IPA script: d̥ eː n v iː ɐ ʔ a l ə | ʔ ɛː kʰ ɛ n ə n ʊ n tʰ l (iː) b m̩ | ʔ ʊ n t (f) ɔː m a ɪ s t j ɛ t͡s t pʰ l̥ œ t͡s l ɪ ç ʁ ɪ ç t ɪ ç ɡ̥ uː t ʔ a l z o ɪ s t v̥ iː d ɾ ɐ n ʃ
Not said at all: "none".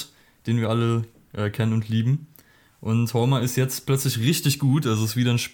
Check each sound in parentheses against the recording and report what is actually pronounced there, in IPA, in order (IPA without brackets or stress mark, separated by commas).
iː, h